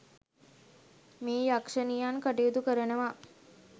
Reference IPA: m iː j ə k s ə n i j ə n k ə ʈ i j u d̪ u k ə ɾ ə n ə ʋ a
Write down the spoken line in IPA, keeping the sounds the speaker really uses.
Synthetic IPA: m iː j a k ʂ ə n i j a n k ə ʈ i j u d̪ u k ə ɾ ə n ə ʋ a